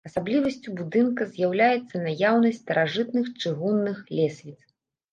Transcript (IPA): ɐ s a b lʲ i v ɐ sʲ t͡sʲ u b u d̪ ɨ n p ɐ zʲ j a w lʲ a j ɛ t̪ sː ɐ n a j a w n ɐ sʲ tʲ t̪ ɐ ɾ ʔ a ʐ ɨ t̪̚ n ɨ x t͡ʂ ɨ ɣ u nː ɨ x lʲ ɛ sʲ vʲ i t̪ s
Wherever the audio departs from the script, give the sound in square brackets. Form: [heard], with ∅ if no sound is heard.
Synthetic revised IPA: ɐ s a b lʲ i v ɐ sʲ t͡sʲ u b u d̪ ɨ n [k] ɐ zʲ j a w lʲ a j ɛ t̪ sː ɐ n a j a w n ɐ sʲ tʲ t̪ ɐ ɾ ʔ a ʐ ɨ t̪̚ n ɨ x t͡ʂ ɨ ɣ u nː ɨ x lʲ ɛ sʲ vʲ i t̪ s